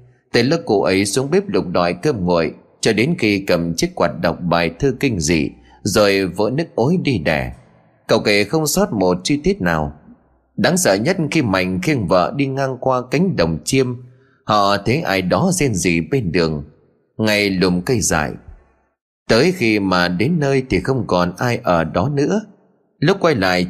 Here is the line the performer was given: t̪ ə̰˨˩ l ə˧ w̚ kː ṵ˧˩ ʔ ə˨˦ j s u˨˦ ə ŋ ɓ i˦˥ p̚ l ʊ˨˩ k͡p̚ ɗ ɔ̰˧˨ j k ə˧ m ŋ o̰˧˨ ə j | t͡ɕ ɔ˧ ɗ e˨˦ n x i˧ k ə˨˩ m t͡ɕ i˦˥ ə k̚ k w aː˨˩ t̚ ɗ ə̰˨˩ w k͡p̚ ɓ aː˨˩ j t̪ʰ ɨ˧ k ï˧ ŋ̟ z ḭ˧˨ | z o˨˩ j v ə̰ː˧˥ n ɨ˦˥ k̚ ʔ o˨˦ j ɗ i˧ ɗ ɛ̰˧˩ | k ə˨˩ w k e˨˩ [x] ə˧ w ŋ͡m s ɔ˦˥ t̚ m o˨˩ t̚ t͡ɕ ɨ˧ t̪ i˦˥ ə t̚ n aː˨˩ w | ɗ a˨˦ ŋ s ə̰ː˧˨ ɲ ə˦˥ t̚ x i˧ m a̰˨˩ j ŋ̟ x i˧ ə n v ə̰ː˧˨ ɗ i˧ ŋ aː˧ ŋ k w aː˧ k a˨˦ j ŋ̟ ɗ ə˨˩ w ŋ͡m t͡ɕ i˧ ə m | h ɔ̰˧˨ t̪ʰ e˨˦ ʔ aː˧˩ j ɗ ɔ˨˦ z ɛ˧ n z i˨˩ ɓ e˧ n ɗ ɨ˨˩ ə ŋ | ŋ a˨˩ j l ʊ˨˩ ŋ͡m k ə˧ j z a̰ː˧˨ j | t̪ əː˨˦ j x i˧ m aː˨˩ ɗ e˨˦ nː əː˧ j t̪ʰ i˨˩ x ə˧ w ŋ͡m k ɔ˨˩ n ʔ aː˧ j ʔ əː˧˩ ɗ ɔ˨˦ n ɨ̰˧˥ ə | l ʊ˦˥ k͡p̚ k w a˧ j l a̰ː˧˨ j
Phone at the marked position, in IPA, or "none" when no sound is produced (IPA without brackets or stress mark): x